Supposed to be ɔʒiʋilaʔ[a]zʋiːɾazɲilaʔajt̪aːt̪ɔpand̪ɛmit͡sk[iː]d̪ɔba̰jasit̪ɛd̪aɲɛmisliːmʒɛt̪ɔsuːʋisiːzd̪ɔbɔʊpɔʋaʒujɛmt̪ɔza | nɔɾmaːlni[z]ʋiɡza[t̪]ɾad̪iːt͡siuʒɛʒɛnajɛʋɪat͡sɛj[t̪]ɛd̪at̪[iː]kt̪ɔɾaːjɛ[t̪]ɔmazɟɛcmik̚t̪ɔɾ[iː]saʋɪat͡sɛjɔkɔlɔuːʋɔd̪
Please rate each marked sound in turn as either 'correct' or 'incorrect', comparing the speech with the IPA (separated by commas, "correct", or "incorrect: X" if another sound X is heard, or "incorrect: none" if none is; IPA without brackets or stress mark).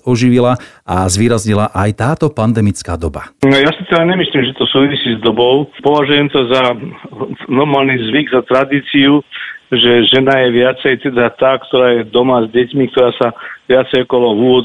correct, incorrect: aː, correct, correct, correct, incorrect: aː, incorrect: d̪, incorrect: aː